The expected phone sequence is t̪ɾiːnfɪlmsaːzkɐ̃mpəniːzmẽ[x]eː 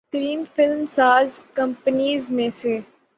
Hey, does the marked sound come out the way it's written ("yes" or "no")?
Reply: no